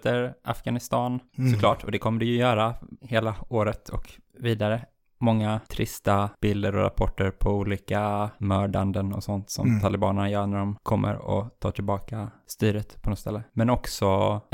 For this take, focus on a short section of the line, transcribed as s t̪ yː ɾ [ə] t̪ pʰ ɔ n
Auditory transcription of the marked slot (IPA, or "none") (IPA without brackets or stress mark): ə